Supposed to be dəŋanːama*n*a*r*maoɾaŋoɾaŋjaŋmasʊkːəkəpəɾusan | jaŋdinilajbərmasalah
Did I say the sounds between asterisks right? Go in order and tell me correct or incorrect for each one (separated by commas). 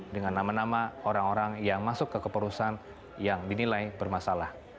correct, incorrect